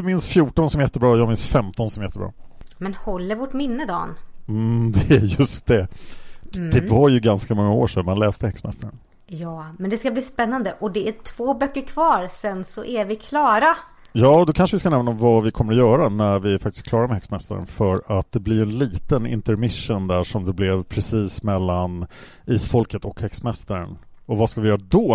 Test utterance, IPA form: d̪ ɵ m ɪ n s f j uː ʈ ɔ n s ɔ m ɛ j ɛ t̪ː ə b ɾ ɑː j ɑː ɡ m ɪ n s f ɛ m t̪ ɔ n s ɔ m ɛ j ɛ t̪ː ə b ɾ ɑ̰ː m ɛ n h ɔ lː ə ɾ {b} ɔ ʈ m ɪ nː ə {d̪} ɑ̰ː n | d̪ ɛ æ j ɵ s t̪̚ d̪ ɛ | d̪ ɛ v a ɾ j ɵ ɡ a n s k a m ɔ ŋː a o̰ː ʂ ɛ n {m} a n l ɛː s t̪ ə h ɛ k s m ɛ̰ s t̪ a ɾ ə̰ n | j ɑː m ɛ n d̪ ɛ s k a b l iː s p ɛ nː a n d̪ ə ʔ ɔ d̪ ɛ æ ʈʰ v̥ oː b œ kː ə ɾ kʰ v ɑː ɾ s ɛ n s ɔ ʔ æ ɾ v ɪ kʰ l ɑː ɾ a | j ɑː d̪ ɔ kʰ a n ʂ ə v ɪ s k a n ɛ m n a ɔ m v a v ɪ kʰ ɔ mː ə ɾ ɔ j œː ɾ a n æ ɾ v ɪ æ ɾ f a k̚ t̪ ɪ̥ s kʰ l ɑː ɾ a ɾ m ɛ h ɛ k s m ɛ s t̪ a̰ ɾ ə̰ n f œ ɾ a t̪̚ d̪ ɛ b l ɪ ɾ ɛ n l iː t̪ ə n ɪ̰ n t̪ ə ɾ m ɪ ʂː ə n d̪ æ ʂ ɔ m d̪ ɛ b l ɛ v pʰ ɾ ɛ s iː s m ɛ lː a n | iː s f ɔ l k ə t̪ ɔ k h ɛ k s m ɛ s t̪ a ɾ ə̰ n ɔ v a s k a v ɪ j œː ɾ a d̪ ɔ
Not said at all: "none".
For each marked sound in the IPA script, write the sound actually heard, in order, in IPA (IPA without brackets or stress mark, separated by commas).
v, d̪, m